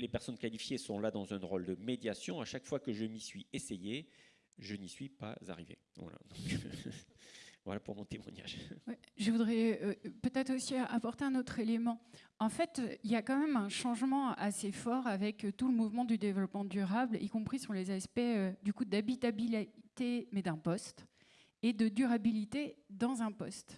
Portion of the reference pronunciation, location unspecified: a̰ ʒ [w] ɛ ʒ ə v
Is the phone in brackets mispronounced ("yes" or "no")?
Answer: no